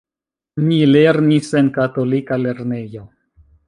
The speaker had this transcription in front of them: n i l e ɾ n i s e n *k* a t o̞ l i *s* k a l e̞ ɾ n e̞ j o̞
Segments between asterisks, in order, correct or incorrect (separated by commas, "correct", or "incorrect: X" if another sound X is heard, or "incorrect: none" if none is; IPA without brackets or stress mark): correct, incorrect: none